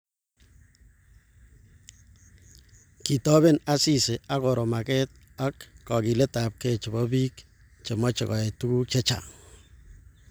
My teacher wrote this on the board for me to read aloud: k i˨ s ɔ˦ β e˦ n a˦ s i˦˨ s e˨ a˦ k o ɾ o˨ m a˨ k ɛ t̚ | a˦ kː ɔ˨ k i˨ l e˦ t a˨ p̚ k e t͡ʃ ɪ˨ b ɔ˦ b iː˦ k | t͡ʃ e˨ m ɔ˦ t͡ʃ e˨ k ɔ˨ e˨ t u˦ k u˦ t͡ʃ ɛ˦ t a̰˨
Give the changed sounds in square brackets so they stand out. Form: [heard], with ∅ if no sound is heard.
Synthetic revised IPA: k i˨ [t] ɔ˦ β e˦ n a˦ s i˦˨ s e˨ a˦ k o ɾ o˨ m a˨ k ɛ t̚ | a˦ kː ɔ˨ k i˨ l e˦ t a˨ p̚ k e t͡ʃ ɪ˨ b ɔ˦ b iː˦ k | t͡ʃ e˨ m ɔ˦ t͡ʃ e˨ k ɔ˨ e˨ t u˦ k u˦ t͡ʃ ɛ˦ [t͡ʃ] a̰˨